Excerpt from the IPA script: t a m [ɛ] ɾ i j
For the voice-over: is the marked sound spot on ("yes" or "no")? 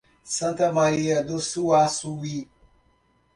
no